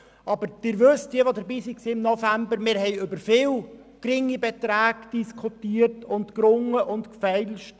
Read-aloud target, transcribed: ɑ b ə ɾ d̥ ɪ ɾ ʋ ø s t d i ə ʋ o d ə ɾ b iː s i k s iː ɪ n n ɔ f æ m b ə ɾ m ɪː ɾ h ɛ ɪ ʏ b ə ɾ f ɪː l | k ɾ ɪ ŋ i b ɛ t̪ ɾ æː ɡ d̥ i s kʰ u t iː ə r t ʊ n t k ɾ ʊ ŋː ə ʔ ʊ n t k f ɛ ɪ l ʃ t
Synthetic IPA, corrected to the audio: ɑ b ə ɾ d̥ ɪ ɾ ʋ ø s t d i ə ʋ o d ə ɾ b iː s i k s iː ɪ m n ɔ f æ m b ə ɾ m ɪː ɾ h ɛ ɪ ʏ b ə ɾ f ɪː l | k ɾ ɪ ŋ i b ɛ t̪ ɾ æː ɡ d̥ i s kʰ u t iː ə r t ʊ n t k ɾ ʊ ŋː ə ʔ ʊ n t k f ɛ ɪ l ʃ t